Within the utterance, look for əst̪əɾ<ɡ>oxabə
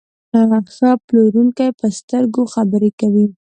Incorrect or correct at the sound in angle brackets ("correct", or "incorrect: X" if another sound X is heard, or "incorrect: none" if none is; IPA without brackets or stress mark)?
correct